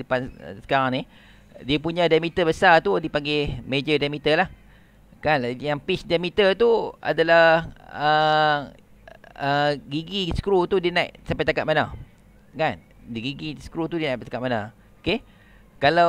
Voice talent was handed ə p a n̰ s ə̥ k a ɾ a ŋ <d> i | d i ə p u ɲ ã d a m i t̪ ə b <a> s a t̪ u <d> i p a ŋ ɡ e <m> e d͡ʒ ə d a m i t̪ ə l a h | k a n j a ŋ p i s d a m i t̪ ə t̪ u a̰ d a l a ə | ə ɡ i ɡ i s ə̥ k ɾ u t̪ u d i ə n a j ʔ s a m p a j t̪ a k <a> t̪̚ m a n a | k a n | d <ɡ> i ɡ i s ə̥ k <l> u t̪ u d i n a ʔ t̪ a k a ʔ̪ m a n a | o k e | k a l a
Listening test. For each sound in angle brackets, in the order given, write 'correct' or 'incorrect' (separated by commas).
incorrect, incorrect, correct, correct, correct, correct, incorrect